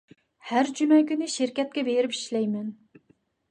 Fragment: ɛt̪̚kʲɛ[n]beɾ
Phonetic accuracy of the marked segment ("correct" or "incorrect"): incorrect